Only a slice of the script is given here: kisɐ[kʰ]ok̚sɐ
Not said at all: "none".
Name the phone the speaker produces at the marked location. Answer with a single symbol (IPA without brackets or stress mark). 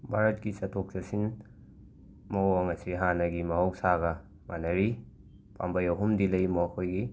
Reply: tʰ